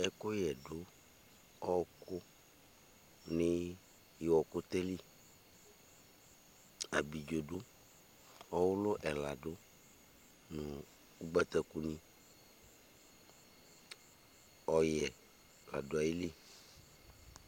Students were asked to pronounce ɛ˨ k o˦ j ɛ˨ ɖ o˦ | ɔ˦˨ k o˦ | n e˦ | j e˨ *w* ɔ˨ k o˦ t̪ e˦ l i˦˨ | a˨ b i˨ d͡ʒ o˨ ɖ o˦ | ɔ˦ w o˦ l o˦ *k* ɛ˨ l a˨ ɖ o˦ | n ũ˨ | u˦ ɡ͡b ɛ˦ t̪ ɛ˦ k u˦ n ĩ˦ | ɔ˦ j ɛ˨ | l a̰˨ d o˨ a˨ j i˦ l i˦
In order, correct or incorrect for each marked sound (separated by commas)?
correct, incorrect